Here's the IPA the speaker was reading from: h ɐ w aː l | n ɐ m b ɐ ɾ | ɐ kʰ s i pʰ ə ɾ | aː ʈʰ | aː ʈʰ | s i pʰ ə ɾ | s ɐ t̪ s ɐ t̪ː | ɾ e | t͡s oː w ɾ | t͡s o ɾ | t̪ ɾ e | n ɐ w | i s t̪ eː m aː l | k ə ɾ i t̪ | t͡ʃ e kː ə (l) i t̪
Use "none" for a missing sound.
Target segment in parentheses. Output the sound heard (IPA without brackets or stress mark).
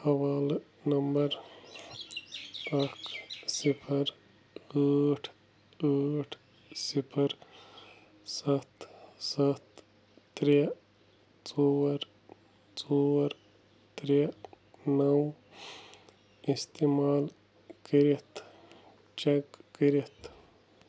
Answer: ɾ